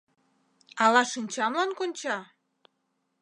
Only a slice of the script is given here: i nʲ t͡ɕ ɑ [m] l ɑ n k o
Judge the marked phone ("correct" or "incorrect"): correct